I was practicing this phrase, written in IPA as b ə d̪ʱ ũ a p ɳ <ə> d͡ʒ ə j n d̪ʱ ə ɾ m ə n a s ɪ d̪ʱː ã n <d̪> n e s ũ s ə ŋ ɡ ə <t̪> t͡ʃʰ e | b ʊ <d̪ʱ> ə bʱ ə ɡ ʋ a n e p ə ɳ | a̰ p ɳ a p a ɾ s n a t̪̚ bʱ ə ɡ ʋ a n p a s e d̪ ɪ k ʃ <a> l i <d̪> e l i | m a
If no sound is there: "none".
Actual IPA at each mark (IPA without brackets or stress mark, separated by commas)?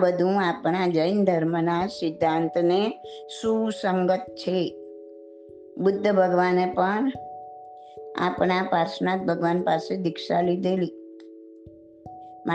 a, t̪, t̪, d̪ʱː, a, d̪